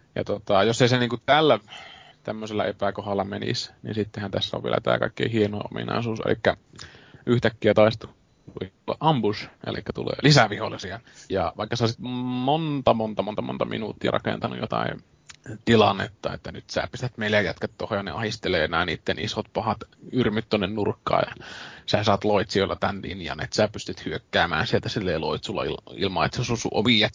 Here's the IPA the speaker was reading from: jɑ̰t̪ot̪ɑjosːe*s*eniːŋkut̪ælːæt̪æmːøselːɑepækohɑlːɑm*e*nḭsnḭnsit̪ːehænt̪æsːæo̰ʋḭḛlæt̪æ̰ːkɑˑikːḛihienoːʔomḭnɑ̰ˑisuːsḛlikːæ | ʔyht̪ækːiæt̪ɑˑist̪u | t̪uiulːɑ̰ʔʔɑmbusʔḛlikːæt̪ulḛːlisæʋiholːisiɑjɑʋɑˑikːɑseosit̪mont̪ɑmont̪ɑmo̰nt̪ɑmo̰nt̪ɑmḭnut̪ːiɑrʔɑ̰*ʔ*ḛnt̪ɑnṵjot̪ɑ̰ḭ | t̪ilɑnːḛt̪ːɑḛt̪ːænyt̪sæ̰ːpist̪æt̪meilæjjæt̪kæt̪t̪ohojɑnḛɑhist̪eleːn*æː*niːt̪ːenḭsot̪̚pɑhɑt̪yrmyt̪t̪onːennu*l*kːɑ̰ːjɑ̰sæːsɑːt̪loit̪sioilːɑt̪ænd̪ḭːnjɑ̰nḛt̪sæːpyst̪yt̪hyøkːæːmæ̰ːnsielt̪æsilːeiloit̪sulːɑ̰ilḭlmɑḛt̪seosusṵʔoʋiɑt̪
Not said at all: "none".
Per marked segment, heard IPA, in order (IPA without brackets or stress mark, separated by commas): s, e, k, æː, r